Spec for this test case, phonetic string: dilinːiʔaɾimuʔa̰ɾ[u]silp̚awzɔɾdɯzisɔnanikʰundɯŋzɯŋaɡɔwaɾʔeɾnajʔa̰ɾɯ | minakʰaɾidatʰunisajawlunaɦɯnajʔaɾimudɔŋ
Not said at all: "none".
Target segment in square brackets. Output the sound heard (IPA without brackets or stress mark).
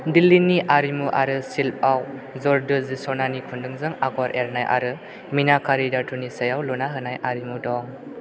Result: ɯ